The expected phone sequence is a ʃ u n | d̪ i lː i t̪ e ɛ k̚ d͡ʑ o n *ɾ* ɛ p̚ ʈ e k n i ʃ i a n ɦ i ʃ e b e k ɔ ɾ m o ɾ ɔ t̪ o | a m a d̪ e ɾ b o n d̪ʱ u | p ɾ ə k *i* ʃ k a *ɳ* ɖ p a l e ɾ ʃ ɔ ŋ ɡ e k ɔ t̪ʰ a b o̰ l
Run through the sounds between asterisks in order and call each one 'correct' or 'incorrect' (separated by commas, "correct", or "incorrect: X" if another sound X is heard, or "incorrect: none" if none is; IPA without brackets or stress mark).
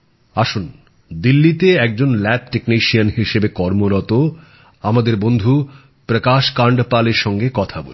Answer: incorrect: l, incorrect: a, correct